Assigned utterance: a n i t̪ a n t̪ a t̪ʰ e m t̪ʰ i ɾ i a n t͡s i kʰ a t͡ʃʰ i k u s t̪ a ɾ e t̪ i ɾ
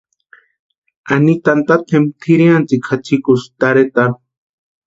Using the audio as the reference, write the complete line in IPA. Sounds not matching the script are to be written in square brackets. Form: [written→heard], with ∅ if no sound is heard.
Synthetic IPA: a n i t̪ a n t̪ a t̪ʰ e m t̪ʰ i ɾ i a n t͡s i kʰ a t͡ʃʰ i k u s t̪ a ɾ e t̪ [i→a] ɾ

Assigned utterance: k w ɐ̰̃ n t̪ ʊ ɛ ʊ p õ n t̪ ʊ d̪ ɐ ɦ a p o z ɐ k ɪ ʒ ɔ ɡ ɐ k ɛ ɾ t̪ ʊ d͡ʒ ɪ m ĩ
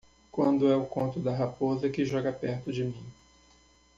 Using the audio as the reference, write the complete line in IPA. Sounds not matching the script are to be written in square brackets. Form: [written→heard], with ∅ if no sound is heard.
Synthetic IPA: k w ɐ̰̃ n [t̪→d̪] ʊ ɛ ʊ [p→k] õ n t̪ ʊ d̪ ɐ ɦ a p o z ɐ k ɪ ʒ ɔ ɡ ɐ [k→p] ɛ ɾ t̪ ʊ d͡ʒ ɪ m ĩ

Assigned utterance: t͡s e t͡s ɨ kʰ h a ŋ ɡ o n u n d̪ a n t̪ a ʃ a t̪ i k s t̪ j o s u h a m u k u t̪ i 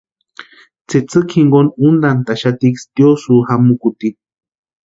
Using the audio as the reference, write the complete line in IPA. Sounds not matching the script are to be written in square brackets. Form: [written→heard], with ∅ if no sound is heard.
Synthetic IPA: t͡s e t͡s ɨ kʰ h [a→i] ŋ ɡ o n u n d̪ a n t̪ a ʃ a t̪ i k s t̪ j o s u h a m u k u t̪ i

